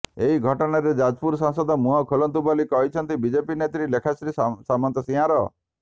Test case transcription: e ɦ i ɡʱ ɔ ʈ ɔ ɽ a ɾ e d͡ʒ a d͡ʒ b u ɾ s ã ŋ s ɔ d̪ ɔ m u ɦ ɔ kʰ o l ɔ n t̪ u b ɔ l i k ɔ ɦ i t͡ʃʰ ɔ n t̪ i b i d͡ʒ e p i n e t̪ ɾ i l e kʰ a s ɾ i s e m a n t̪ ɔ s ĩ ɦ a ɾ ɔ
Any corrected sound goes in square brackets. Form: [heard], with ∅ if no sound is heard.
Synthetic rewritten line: e ɦ i ɡʱ ɔ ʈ ɔ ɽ a ɾ e d͡ʒ a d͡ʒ [p] u ɾ s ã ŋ s ɔ d̪ ɔ m u ɦ ɔ kʰ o l ɔ n t̪ u b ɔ l i k ɔ ɦ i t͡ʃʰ ɔ n t̪ i b i d͡ʒ e p i n e t̪ ɾ i l e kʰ a s ɾ i s [a] m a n t̪ ɔ s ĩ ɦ a ɾ ɔ